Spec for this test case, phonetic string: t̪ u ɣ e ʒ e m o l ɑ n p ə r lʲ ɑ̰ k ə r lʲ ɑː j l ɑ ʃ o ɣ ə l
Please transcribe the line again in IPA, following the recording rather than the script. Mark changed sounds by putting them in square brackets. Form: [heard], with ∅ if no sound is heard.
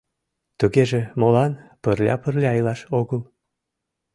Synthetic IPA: t̪ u ɣ e ʒ e m o l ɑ n p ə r lʲ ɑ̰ [p] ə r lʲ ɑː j l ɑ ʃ o ɣ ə l